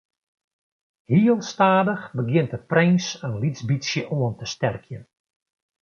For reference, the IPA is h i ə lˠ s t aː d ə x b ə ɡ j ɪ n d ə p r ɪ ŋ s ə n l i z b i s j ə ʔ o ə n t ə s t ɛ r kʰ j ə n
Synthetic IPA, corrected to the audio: h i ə lˠ s t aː d ə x b ə ɡ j ɪ n t ə p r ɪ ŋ s ə n l i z b i s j ə ʔ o ə n t ə s t ɛ r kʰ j ə n